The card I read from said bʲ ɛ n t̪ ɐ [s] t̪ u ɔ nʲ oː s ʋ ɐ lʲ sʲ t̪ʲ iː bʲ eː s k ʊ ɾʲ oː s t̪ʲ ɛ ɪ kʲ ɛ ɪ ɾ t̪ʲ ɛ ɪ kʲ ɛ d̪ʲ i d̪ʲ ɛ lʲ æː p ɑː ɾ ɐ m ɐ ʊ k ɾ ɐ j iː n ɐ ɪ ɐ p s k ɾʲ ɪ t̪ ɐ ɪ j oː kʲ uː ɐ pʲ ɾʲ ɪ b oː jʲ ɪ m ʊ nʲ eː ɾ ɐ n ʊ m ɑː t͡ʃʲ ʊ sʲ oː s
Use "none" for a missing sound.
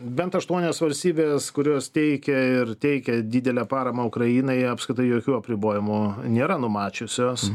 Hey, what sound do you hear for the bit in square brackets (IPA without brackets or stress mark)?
ʃ